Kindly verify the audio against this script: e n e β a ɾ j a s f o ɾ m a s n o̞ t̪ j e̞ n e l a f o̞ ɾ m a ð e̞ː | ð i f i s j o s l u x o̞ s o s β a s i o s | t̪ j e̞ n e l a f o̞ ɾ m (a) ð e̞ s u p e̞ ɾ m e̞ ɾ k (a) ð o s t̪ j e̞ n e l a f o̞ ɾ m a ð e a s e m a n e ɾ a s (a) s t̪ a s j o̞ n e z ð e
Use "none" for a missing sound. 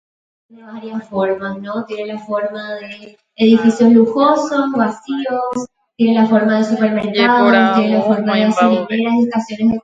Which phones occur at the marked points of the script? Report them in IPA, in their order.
a, a, e

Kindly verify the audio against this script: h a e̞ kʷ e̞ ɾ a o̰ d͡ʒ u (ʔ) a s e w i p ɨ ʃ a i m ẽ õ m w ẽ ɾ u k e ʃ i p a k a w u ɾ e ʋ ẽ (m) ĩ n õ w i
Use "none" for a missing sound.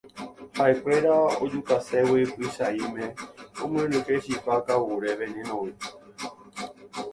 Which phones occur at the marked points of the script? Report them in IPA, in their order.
k, n

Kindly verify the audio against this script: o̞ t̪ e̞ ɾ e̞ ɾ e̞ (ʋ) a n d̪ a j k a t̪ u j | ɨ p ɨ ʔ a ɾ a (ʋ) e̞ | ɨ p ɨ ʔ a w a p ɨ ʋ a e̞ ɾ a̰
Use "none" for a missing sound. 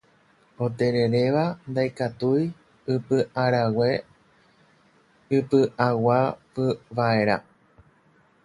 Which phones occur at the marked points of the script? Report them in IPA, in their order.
ʋ, w

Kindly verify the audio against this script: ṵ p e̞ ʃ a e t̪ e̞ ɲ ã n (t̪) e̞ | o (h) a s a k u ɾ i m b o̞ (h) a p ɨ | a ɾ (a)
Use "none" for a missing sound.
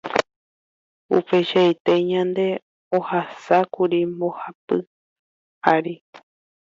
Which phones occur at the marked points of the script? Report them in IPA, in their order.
d̪, h, h, i

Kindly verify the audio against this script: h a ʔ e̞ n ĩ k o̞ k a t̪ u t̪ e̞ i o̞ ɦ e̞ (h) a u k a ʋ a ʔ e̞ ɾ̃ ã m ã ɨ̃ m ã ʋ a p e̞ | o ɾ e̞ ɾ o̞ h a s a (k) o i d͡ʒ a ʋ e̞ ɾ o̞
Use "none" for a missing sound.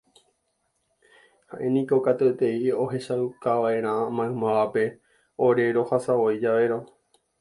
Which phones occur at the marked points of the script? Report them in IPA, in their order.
ʃ, none

